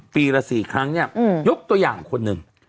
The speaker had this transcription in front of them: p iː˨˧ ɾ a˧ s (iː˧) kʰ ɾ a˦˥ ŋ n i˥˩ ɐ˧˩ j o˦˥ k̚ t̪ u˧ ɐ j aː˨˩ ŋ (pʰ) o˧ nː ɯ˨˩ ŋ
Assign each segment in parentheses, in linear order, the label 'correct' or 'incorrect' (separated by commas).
incorrect, incorrect